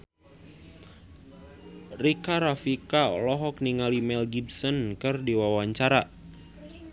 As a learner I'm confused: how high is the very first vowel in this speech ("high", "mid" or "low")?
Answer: high